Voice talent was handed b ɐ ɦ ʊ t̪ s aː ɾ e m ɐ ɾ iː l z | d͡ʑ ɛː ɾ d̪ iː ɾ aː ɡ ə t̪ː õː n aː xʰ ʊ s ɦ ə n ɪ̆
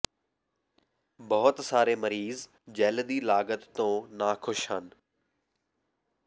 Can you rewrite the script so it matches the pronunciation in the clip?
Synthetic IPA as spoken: b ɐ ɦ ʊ t̪ s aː ɾ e m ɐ ɾ iː z | d͡ʑ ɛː l d̪ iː l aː ɡ ə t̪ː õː n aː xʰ ʊ ʃ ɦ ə n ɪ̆